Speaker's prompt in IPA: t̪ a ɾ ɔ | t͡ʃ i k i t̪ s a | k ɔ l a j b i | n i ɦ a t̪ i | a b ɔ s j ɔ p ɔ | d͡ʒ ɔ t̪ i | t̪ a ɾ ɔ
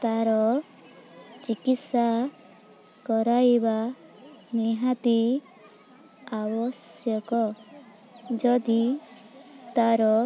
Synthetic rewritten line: t̪ a ɾ ɔ | t͡ʃ i k i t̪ s a | k ɔ ɾ a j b a | n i ɦ a t̪ i | a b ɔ s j ɔ k ɔ | d͡ʒ ɔ d̪ i | t̪ a ɾ ɔ

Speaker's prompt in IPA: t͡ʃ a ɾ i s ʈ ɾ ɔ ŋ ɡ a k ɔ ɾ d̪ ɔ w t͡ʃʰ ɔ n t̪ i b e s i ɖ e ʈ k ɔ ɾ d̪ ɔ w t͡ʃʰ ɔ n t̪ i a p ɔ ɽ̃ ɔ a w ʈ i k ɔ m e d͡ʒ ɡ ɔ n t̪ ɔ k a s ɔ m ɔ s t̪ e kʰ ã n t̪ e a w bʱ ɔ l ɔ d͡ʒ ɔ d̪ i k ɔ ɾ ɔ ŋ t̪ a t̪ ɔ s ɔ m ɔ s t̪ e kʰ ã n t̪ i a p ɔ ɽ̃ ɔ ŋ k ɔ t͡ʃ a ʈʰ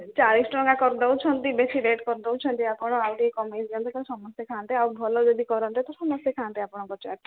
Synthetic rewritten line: t͡ʃ a ɾ i s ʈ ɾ ɔ ŋ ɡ a k ɔ ɾ d̪ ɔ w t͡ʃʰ ɔ n t̪ i b e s i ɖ e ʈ k ɔ ɾ d̪ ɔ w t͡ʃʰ ɔ n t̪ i a p ɔ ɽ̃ ɔ a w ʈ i k ɔ m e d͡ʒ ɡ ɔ n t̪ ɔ k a s ɔ m ɔ s t̪ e kʰ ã n t̪ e a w bʱ ɔ l ɔ d͡ʒ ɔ d̪ i k ɔ ɾ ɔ n t̪ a t̪ ɔ s ɔ m ɔ s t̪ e kʰ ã n t̪ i a p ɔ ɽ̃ ɔ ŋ k ɔ t͡ʃ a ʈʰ

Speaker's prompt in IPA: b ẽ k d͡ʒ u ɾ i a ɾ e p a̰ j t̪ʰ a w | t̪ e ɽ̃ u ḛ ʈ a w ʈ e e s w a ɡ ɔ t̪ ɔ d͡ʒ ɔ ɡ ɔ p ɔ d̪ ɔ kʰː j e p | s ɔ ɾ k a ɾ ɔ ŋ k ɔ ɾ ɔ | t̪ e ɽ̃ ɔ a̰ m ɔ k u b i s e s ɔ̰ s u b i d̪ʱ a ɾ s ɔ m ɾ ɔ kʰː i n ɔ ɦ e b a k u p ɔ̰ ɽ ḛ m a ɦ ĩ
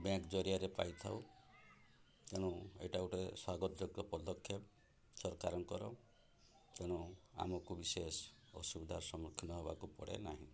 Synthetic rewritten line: b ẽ k d͡ʒ ɔ ɾ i a ɾ e p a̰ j t̪ʰ a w | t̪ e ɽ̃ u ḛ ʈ a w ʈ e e s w a ɡ ɔ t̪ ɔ d͡ʒ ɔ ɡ ɔ p ɔ d̪ ɔ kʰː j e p | s ɔ ɾ k a ɾ ɔ ŋ k ɔ ɾ ɔ | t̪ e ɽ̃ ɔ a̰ m ɔ k u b i s e s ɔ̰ s u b i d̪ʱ a ɾ s ɔ m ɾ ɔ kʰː i n ɔ ɦ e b a k u p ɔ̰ ɽ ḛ n a ɦ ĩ

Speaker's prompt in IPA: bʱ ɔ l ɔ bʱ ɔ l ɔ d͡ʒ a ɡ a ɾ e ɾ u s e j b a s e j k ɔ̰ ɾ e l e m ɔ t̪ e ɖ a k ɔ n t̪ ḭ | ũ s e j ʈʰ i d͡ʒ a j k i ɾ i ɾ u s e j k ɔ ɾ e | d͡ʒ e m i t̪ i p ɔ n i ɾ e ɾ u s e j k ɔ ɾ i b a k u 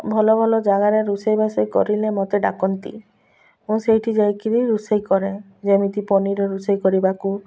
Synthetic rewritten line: bʱ ɔ l ɔ bʱ ɔ l ɔ d͡ʒ a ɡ a ɾ e ɾ u s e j b a s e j k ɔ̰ ɾ i l e m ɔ t̪ e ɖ a k ɔ n t̪ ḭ | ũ s e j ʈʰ i d͡ʒ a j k i ɾ i ɾ u s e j k ɔ ɾ e | d͡ʒ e m i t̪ i p ɔ n i ɾ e ɾ u s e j k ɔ ɾ i b a k u

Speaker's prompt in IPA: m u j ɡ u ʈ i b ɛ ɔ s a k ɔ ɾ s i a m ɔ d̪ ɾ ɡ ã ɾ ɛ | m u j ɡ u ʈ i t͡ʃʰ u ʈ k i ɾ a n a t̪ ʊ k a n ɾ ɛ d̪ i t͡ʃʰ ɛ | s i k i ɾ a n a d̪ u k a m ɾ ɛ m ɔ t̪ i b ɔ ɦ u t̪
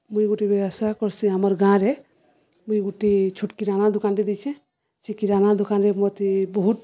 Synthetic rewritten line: m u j ɡ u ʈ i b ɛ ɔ s a k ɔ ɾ s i a m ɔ ɾ ɡ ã ɾ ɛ | m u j ɡ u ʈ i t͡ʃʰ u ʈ k i ɾ a n a d̪ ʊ k a n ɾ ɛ d̪ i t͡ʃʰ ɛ | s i k i ɾ a n a d̪ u k a n ɾ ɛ m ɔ t̪ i b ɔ ɦ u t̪

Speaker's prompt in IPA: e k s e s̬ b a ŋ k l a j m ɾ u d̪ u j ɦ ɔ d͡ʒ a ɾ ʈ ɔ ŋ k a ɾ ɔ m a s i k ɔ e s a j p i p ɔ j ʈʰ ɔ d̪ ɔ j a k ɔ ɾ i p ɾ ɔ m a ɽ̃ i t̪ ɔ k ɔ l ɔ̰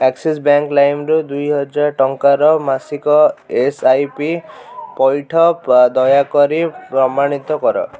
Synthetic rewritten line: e k s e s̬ b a ŋ k l a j m ɾ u d̪ u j ɦ ɔ d͡ʒ a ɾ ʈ ɔ ŋ k a ɾ ɔ m a s i k ɔ e s a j p i p ɔ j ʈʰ ɔ d̪ ɔ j a k ɔ ɾ i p ɾ ɔ m a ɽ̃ i t̪ ɔ k ɔ ɾ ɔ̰

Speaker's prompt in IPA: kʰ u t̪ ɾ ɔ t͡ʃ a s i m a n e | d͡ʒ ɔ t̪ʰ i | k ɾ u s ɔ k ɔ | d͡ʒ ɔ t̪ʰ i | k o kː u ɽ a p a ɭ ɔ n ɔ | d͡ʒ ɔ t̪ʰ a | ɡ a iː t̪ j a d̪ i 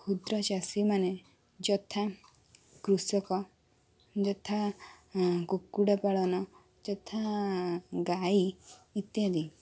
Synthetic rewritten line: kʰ u d̪ ɾ ɔ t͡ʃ a s i m a n e | d͡ʒ ɔ t̪ʰ a | k ɾ u s ɔ k ɔ | d͡ʒ ɔ t̪ʰ a | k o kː u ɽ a p a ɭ ɔ n ɔ | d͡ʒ ɔ t̪ʰ a | ɡ a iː t̪ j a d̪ i

